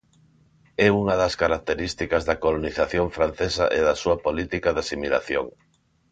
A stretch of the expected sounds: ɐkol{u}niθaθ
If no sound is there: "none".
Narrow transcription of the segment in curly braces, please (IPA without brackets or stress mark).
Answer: o